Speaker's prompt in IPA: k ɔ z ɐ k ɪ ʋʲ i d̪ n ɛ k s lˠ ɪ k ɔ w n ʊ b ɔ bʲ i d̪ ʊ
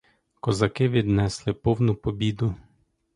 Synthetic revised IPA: k ɔ z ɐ k ɪ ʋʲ i d̪ n ɛ s lˠ ɪ p ɔ w n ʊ p ɔ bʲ i d̪ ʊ